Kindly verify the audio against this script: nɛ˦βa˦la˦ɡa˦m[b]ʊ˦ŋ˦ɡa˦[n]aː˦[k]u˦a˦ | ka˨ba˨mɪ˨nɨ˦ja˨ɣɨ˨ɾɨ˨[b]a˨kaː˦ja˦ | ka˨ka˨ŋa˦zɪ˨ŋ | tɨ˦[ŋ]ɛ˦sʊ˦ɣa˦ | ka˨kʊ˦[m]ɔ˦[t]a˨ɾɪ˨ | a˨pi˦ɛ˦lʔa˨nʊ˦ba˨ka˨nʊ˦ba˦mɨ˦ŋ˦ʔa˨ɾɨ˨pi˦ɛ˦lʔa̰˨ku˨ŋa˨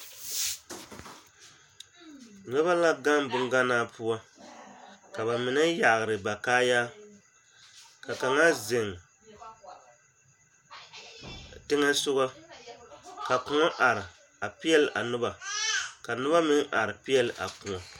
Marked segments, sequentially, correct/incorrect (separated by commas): correct, correct, incorrect, correct, correct, incorrect, incorrect